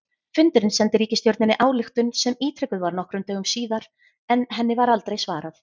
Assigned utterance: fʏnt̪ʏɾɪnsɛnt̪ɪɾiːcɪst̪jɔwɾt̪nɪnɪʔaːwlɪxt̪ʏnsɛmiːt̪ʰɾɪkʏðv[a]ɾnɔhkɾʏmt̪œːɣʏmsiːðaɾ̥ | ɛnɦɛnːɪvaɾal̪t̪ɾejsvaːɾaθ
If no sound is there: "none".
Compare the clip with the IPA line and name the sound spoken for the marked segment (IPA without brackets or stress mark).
a